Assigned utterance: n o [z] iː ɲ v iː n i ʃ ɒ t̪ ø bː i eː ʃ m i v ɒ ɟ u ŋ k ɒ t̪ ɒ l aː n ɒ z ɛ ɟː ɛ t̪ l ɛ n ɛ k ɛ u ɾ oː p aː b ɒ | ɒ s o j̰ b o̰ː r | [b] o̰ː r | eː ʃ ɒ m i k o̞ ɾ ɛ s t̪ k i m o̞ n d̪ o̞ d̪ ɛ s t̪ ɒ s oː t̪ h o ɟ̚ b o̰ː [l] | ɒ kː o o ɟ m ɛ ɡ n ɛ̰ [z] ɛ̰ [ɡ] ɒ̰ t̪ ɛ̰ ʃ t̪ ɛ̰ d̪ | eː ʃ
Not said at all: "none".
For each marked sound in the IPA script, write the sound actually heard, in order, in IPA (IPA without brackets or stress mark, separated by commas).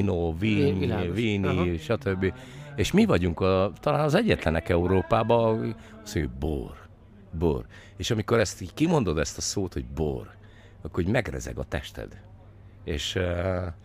v, b, r, z, ɡ